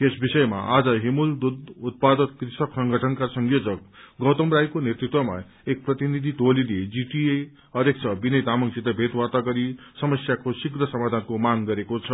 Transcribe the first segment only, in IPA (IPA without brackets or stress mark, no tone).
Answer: e